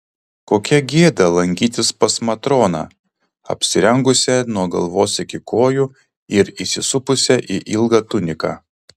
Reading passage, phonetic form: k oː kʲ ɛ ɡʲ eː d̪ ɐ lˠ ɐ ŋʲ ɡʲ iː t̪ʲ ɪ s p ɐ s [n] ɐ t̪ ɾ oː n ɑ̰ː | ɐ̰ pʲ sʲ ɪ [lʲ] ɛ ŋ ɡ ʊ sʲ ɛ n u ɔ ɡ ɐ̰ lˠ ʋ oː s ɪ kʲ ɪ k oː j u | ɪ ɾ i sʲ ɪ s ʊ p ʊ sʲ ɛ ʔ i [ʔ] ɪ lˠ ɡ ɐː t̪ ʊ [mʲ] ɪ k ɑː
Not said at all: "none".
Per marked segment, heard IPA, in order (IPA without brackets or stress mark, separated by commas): m, ɾʲ, ʔ, nʲ